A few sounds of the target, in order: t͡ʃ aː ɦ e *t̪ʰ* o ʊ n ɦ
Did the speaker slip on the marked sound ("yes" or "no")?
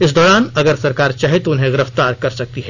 yes